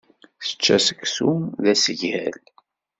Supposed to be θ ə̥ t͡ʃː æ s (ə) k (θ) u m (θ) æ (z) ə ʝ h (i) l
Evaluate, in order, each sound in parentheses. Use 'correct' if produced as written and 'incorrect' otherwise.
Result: correct, incorrect, incorrect, incorrect, incorrect

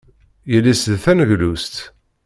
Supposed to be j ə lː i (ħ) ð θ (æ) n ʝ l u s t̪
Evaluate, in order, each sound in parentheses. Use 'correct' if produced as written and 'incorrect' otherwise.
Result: incorrect, correct

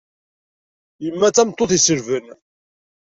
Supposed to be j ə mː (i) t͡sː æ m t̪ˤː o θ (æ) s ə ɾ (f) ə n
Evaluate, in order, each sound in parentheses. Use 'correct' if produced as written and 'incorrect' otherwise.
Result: incorrect, incorrect, incorrect

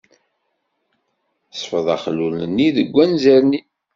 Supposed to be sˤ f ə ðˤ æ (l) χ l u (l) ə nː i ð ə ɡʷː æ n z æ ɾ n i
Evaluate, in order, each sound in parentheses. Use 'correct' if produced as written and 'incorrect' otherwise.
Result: incorrect, correct

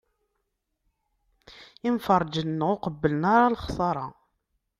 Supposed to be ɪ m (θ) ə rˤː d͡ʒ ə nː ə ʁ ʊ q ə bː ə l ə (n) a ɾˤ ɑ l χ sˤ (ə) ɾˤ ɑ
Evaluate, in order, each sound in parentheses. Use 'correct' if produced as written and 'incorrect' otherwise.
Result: incorrect, correct, incorrect

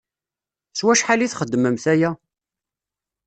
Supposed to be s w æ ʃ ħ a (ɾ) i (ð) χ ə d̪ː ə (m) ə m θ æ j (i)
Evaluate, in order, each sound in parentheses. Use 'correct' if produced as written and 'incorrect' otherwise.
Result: incorrect, incorrect, correct, incorrect

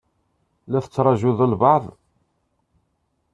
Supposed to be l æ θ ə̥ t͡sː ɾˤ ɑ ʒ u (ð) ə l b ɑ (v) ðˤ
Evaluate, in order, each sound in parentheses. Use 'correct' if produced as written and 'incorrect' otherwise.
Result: correct, incorrect

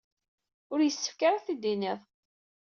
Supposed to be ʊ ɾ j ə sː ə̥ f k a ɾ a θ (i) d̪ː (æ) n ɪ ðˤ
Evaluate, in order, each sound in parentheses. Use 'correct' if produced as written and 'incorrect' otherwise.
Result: correct, incorrect

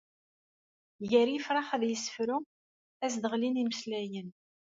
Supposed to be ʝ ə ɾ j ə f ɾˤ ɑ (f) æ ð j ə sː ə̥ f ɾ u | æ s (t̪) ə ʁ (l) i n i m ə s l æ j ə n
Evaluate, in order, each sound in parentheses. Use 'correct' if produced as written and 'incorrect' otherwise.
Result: incorrect, incorrect, correct

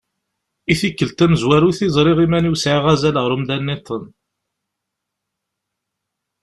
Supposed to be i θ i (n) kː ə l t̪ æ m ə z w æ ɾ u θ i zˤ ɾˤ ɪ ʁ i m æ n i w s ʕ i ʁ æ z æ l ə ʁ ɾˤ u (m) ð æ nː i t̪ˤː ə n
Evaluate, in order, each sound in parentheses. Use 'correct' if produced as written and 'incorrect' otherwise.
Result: incorrect, correct

